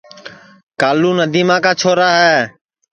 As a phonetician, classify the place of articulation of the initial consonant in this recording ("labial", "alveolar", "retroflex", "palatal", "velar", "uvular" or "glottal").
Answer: velar